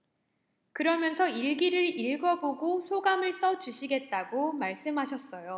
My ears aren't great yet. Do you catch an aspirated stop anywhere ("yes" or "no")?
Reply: no